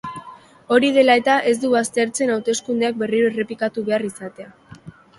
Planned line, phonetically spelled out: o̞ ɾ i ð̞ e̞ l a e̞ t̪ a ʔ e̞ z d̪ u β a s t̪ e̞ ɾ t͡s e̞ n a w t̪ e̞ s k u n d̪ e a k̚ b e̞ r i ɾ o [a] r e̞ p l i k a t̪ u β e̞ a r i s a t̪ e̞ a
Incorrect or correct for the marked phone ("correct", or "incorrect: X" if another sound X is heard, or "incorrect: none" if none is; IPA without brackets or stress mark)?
incorrect: e